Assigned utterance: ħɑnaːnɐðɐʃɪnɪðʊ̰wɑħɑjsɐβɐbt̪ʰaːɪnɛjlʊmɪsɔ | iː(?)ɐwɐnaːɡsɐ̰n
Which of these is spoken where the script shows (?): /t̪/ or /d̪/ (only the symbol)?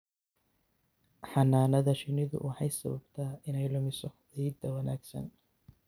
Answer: d̪